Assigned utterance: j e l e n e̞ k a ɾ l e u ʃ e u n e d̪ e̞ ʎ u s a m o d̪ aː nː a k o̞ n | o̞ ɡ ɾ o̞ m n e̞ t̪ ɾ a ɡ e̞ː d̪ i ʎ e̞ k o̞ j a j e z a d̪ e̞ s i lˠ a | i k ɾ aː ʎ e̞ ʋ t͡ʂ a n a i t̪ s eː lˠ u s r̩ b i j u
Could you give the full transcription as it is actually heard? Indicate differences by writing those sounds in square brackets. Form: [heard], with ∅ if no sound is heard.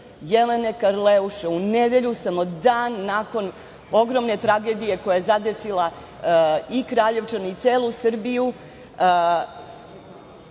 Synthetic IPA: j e l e n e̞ k a ɾ l e u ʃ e u n e d̪ e̞ ʎ u s a m o d̪ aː nː a k o̞ n | o̞ ɡ ɾ o̞ m n e̞ t̪ ɾ a ɡ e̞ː d̪ i [j] e̞ k o̞ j a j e z a d̪ e̞ s i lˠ a | i k ɾ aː ʎ e̞ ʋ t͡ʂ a n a i t̪ s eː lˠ u s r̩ b i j u